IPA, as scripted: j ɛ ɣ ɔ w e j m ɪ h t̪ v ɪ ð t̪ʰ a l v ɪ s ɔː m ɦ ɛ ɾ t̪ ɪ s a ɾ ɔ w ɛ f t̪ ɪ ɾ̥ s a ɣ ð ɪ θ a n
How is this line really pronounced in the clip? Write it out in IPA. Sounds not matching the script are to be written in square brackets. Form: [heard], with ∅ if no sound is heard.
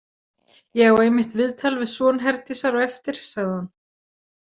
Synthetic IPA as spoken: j ɛ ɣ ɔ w e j m ɪ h t̪ v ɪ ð t̪ʰ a l v ɪ s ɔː [n] ɦ ɛ ɾ t̪ ɪ s a ɾ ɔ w ɛ f t̪ ɪ ɾ̥ s a ɣ ð ɪ [h] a n